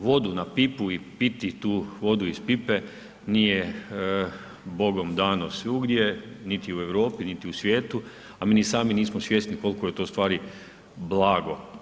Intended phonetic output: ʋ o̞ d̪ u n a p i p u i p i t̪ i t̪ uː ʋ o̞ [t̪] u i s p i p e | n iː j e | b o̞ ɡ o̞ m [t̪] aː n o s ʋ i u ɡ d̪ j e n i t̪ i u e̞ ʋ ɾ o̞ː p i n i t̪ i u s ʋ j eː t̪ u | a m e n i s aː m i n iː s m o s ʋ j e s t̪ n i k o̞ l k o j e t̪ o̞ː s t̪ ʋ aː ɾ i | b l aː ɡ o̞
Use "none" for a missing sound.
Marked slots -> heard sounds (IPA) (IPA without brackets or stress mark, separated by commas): d̪, d̪